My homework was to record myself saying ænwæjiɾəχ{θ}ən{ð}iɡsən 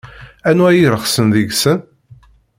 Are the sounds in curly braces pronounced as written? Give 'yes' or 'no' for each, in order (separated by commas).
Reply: no, yes